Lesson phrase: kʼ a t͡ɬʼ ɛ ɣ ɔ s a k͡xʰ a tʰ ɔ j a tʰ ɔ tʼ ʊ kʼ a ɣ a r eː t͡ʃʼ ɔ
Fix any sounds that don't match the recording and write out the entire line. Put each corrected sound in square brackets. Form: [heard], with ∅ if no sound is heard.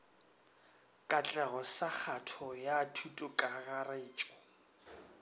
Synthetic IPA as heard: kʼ a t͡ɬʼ ɛ ɣ ɔ s a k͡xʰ a tʰ ɔ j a tʰ [u] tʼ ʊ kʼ a ɣ a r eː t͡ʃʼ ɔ